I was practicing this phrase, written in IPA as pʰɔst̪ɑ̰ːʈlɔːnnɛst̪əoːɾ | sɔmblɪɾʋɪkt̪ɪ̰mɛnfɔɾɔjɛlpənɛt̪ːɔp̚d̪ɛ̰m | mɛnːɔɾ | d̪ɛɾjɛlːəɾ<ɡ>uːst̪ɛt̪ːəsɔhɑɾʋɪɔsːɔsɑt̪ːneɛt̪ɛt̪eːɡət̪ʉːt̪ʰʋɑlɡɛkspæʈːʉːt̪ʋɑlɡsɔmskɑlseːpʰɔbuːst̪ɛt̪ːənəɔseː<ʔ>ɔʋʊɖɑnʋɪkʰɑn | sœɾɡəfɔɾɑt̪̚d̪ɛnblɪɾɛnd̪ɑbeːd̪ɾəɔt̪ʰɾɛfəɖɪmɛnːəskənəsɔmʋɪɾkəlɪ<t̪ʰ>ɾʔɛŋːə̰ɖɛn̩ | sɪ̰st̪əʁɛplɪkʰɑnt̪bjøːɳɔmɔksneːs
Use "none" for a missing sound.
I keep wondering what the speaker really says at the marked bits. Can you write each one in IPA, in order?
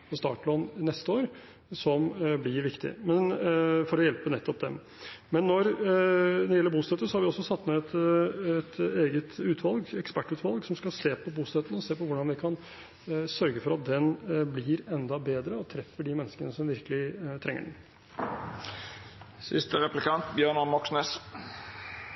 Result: b, p, t̪ʰ

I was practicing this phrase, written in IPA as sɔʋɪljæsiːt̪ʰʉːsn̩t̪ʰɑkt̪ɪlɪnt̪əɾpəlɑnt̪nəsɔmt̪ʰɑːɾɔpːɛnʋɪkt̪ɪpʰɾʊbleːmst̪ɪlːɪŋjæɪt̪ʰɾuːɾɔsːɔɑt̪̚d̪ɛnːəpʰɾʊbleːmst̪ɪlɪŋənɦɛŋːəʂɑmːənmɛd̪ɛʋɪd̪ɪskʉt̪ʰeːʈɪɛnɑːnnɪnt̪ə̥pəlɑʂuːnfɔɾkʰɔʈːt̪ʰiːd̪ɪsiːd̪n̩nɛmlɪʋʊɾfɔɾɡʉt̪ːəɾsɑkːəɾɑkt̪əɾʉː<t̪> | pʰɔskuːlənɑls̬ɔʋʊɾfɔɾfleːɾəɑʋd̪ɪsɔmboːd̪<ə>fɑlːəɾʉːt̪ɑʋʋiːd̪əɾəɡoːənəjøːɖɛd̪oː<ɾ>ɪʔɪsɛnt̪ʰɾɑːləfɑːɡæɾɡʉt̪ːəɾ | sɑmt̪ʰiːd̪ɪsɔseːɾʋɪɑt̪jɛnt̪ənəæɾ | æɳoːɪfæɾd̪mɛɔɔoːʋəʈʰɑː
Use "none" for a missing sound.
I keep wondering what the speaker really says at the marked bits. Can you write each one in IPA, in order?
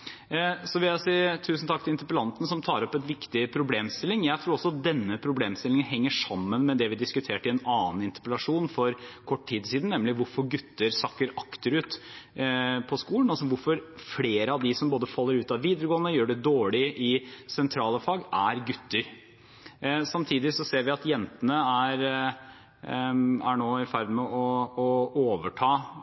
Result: t̪, ə, ɭ

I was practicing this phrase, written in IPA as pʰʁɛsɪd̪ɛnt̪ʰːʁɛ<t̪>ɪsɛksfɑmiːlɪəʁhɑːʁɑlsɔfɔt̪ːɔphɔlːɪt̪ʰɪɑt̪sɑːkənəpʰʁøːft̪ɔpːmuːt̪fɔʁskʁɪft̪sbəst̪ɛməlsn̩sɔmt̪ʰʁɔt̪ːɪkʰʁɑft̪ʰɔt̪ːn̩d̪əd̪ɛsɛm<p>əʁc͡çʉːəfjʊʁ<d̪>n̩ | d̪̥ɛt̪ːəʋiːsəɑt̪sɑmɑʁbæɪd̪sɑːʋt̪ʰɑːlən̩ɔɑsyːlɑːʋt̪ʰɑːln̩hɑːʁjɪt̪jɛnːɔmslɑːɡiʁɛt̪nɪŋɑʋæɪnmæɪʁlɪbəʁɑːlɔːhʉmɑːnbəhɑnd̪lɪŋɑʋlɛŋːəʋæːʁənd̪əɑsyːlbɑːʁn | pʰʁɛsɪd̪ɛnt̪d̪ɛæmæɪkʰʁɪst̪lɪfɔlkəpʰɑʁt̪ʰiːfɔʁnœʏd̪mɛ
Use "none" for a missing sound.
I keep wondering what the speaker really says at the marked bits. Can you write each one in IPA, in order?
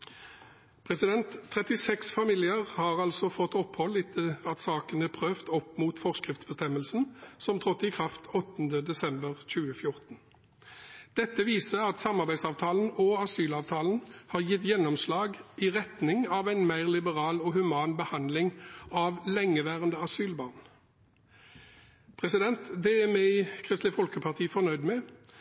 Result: t̪, b, t̪

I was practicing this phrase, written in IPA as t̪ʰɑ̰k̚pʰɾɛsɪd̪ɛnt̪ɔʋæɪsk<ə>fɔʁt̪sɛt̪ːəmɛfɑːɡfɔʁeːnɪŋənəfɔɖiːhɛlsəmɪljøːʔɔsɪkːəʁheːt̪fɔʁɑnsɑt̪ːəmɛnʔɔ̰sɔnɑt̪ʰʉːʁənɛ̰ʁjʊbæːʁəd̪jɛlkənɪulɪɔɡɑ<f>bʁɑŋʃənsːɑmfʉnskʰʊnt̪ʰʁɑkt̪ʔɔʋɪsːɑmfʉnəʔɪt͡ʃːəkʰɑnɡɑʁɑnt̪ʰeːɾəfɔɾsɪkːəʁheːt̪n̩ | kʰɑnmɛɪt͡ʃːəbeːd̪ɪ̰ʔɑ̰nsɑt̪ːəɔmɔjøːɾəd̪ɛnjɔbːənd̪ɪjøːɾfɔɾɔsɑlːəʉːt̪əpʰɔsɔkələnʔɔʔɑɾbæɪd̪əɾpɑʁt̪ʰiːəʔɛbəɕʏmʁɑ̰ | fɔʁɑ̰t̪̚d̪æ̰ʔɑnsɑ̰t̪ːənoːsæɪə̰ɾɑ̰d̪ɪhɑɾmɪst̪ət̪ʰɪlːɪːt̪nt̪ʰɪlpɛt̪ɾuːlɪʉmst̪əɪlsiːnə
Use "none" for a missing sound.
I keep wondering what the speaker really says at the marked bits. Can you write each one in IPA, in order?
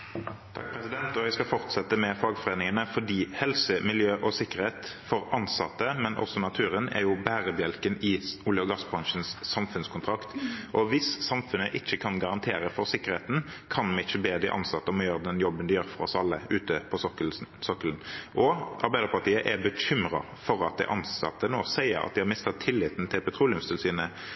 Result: ɑ, s

